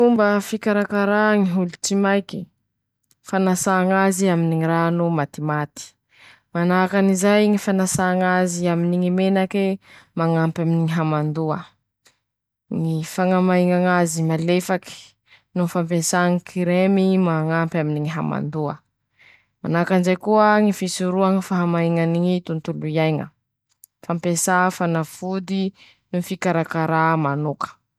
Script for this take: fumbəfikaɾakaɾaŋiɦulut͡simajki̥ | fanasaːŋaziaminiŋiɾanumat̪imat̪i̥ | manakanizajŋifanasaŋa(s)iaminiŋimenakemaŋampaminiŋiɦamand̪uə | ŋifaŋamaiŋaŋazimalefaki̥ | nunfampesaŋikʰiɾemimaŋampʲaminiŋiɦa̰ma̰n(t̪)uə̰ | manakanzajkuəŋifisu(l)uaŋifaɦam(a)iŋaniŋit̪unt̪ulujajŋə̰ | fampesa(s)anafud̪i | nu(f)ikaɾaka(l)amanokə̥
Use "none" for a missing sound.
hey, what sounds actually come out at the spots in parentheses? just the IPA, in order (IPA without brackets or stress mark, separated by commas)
z, d̪, ɾ, a, f, f, ɾ